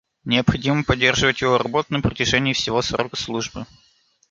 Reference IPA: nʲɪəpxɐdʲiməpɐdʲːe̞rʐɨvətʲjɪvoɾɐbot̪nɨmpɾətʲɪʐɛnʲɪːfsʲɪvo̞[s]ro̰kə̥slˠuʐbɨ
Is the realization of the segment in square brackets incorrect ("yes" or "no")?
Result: no